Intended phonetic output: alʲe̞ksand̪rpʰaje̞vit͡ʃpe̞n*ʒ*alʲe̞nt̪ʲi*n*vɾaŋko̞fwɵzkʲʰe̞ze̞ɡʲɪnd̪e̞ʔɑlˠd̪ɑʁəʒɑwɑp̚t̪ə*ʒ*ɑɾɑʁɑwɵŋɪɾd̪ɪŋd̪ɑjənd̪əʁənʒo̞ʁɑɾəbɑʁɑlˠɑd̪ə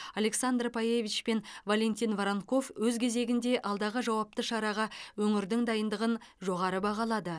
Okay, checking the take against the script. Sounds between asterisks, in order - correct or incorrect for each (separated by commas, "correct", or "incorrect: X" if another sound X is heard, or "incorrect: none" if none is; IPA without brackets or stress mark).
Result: incorrect: v, correct, incorrect: ʃ